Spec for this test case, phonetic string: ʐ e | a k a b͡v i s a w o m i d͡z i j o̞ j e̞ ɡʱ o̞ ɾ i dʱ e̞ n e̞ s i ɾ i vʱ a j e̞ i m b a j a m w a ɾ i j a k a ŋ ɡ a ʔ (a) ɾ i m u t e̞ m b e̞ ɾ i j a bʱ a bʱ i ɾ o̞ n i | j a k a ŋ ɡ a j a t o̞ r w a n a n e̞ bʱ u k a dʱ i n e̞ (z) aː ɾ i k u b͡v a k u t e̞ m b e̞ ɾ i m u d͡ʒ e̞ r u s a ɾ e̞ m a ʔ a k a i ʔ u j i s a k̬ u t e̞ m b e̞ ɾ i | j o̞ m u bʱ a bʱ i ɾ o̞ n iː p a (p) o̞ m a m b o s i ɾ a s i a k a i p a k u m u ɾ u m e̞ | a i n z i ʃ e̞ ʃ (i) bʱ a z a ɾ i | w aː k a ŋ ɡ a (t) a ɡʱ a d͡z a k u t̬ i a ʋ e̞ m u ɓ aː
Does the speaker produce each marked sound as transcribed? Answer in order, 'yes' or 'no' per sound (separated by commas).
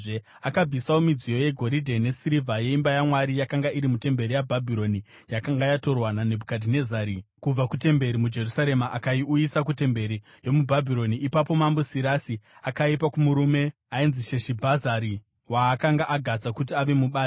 no, yes, yes, yes, no